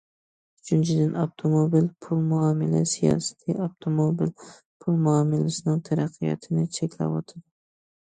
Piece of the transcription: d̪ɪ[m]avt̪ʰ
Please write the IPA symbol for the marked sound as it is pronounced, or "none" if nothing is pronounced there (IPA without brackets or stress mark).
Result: n